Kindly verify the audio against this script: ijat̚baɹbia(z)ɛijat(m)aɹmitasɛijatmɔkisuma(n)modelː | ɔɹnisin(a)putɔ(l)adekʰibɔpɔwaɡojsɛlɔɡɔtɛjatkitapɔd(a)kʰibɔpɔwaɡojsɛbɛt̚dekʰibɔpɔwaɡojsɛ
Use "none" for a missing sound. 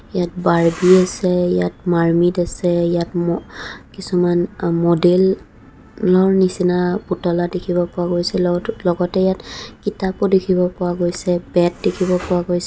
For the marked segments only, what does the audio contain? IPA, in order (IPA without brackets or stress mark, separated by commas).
s, m, n, a, l, e